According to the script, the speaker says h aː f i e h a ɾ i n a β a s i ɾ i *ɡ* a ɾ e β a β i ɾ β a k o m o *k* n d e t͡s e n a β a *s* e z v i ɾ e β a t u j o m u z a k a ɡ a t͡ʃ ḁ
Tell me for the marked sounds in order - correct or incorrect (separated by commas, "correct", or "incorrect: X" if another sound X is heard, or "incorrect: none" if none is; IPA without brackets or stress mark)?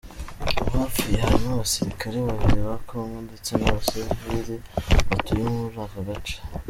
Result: incorrect: k, incorrect: none, correct